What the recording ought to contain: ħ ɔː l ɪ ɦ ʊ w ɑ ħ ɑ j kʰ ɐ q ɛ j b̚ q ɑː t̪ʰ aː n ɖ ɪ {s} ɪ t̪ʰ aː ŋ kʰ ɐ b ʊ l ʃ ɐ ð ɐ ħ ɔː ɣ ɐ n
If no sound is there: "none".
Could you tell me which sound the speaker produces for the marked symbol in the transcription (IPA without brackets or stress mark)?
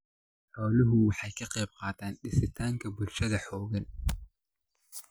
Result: s